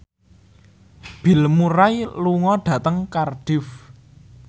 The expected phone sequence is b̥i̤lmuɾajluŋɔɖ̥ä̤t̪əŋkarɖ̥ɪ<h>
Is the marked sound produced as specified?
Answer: no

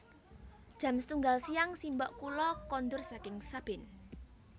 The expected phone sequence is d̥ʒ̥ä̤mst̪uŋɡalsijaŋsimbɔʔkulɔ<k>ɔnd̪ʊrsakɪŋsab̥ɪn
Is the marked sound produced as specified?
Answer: yes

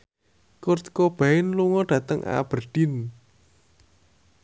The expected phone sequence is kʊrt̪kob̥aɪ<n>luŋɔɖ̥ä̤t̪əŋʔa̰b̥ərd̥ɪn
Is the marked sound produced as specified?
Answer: yes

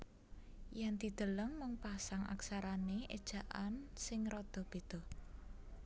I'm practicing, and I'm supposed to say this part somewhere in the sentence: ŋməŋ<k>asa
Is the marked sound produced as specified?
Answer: no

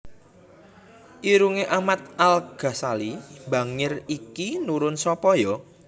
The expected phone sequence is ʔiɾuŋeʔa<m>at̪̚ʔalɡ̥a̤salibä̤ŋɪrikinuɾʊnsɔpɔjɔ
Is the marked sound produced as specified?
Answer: yes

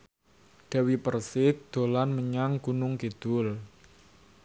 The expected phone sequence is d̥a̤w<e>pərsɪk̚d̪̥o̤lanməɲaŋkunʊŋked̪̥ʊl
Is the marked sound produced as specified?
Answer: no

